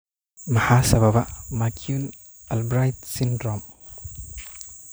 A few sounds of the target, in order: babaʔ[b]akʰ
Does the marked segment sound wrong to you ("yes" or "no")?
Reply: yes